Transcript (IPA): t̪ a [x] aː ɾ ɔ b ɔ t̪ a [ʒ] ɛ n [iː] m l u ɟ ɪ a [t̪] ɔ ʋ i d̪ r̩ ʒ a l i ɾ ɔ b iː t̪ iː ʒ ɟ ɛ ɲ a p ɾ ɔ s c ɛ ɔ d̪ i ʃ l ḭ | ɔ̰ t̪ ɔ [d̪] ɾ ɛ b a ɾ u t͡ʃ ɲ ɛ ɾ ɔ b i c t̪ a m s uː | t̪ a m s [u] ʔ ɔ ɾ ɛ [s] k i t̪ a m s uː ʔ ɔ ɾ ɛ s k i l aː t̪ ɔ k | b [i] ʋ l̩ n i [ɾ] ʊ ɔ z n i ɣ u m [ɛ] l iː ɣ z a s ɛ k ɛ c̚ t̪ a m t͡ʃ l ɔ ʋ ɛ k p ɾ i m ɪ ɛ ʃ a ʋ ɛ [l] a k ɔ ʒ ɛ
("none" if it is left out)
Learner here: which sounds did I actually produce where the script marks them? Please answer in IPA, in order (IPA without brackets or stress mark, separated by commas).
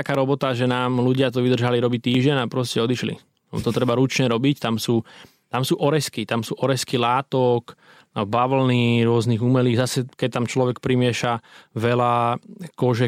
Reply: k, ʒ, aː, t̪, t̪, uː, s, a, ɾ, ɛ, l